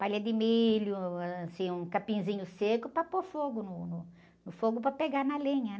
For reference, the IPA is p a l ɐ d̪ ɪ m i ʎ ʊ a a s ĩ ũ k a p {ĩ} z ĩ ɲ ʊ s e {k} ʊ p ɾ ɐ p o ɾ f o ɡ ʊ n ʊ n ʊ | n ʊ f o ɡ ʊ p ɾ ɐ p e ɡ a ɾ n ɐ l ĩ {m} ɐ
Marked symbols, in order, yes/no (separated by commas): yes, yes, no